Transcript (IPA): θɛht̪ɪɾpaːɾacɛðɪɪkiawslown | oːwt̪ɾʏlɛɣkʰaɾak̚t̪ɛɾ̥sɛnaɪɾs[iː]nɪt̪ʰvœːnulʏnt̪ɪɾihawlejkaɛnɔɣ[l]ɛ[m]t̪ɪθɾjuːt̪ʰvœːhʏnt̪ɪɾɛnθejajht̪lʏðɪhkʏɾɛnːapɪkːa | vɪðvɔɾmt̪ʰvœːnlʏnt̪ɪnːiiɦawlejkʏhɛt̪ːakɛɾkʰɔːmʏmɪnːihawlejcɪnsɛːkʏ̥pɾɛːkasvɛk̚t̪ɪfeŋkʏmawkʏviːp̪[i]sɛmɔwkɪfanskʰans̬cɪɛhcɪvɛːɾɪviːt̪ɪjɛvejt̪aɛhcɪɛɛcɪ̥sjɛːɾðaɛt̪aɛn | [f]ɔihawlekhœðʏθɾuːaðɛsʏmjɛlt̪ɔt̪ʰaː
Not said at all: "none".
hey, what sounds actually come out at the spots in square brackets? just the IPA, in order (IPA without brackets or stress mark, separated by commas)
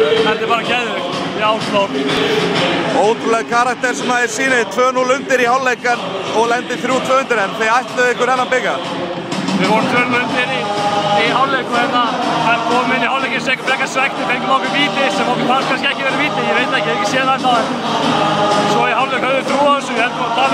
iː, l, n, ɪ, s